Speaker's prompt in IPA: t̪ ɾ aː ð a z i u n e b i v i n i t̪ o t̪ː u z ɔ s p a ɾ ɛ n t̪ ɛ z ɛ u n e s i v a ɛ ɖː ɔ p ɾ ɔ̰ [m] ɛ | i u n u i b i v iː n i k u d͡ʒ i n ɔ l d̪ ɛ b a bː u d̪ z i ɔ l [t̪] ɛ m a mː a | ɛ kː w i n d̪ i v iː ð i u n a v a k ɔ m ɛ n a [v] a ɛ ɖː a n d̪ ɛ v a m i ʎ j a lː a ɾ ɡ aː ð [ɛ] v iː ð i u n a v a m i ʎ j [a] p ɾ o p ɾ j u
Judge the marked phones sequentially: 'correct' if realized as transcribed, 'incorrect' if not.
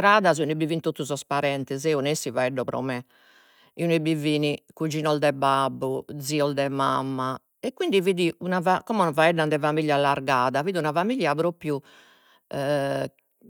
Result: correct, incorrect, correct, incorrect, correct

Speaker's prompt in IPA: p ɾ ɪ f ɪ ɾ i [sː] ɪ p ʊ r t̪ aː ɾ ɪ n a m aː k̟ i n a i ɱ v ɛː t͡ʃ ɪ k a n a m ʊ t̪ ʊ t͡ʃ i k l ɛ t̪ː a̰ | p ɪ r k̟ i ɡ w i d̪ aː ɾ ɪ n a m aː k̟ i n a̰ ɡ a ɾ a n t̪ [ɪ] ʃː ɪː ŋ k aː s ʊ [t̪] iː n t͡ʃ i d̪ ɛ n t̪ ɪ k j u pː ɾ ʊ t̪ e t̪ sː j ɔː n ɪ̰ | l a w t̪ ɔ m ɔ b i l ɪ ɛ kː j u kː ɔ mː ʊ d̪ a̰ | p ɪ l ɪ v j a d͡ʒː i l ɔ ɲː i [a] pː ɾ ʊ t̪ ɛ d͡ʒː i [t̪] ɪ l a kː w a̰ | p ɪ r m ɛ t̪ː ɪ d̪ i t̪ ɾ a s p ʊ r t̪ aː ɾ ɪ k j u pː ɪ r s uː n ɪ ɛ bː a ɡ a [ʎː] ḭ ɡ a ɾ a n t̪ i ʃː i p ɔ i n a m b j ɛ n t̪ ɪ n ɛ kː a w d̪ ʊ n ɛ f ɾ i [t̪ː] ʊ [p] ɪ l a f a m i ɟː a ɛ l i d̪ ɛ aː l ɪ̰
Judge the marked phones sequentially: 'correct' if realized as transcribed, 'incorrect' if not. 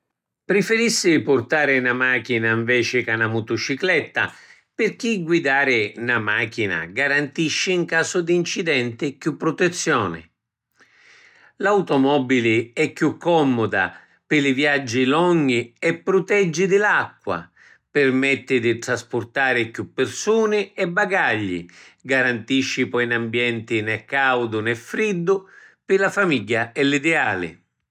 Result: correct, incorrect, incorrect, incorrect, incorrect, correct, incorrect, correct

